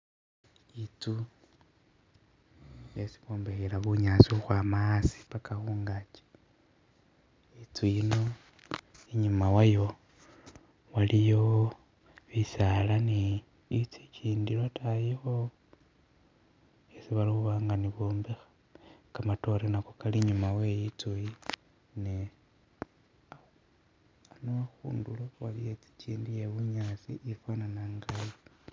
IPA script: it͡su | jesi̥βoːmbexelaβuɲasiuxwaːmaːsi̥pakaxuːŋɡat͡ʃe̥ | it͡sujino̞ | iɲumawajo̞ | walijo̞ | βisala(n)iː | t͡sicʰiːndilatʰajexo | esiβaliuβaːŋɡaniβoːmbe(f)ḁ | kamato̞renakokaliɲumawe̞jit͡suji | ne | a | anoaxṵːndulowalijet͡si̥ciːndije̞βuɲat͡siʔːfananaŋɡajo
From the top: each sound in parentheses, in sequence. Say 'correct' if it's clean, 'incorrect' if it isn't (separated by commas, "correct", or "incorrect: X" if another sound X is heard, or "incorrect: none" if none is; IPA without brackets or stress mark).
correct, incorrect: x